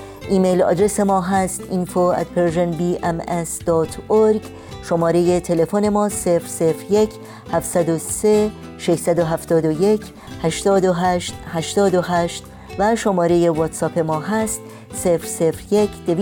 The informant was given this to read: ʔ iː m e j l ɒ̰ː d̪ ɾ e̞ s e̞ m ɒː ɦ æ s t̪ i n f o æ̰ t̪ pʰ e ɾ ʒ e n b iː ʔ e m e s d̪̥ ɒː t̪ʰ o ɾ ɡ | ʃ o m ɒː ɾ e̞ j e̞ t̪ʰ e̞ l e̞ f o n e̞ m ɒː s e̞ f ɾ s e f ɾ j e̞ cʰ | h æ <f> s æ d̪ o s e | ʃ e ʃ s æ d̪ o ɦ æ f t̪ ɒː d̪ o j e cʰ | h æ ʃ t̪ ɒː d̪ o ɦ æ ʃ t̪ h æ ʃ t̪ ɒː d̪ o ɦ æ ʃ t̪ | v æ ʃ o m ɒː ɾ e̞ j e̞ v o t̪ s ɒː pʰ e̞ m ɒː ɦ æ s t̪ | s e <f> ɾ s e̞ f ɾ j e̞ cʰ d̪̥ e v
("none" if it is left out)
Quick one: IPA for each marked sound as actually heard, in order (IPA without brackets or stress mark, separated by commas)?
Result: f, f